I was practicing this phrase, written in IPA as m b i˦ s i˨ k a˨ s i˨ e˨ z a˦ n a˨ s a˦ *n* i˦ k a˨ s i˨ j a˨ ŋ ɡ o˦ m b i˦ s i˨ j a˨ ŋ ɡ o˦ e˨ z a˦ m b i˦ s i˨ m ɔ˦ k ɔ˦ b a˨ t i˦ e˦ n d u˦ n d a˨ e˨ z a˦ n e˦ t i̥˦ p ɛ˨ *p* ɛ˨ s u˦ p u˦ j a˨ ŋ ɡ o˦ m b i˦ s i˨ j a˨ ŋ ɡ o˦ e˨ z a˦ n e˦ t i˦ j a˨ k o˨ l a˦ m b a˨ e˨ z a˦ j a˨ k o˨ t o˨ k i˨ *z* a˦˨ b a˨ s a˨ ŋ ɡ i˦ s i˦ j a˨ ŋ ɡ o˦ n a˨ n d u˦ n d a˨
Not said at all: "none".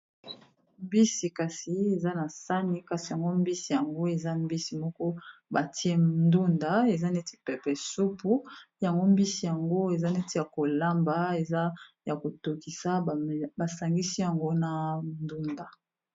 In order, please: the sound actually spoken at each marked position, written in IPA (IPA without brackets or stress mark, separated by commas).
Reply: n, p, s